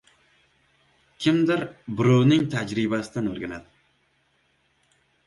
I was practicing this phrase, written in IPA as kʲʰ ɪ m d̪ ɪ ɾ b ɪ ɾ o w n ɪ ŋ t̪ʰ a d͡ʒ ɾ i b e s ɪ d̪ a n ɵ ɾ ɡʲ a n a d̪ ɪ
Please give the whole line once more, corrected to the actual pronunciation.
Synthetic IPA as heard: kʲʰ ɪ m d̪ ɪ ɾ b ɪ ɾ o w n ɪ ŋ t̪ʰ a d͡ʒ ɾ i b a s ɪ d̪ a n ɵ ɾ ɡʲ a n a d̪ ɪ